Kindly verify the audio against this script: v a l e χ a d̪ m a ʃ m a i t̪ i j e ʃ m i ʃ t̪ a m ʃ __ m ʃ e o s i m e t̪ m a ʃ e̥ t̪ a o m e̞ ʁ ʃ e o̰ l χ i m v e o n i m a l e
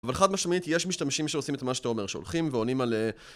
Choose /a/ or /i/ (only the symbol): i